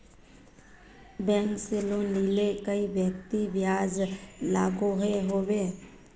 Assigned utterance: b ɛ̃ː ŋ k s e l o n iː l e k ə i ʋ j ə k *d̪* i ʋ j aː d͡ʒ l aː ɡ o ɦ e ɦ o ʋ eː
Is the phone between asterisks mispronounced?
yes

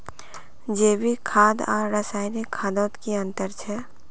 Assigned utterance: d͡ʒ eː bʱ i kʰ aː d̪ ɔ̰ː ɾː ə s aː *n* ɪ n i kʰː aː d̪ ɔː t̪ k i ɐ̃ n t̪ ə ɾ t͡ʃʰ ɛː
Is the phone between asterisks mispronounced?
yes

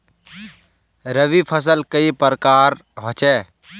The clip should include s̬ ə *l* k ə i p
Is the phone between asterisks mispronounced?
no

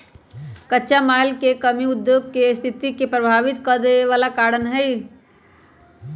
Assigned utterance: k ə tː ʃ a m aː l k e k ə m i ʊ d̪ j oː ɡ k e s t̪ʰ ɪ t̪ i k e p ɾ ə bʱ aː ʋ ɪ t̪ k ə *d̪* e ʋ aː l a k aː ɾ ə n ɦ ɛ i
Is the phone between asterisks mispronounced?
no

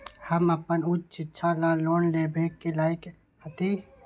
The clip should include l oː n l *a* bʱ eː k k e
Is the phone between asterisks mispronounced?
yes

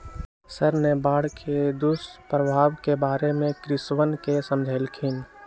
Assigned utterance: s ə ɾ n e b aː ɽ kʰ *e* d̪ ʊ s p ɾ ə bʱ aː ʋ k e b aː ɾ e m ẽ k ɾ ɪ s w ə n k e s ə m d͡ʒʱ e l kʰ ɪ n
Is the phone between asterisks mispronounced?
no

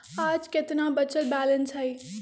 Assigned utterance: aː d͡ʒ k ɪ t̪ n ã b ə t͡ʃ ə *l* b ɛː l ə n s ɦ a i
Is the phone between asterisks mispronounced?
no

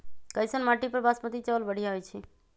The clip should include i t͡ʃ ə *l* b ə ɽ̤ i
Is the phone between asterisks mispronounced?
no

